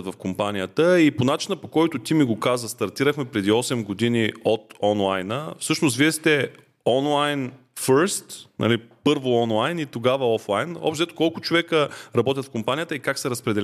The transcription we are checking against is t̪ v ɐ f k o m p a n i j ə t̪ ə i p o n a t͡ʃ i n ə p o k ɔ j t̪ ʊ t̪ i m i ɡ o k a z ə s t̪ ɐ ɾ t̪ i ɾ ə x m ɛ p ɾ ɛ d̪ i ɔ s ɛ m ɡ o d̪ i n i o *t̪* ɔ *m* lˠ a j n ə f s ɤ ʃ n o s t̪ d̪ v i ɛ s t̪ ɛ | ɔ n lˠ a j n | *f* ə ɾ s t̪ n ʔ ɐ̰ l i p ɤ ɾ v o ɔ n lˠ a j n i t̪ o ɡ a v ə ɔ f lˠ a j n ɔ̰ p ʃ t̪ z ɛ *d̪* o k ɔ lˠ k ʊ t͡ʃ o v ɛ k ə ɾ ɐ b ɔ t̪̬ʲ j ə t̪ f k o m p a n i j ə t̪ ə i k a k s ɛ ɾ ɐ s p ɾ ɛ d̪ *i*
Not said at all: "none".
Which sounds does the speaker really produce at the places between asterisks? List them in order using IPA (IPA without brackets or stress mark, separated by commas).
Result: t̪, n, f, t̪, ɛ